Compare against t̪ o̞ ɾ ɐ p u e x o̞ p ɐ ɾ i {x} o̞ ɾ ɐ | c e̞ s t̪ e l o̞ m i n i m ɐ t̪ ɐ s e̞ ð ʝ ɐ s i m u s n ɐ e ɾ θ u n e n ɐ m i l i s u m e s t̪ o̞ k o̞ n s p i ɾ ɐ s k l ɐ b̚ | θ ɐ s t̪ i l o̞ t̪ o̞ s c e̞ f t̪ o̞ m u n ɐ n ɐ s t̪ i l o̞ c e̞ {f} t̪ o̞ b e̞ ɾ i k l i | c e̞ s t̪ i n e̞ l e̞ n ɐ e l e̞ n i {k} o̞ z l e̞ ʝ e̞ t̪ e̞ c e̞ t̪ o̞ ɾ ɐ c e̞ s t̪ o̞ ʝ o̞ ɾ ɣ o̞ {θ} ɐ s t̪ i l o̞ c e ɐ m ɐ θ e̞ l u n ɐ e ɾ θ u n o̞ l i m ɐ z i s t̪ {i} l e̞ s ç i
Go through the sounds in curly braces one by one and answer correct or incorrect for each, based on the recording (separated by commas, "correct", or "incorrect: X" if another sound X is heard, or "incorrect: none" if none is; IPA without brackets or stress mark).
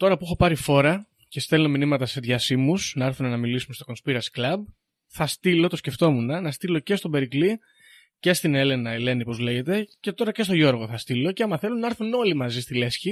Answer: incorrect: f, incorrect: s, incorrect: p, correct, correct